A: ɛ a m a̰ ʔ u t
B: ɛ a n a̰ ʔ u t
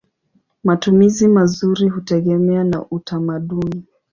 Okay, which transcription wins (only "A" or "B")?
B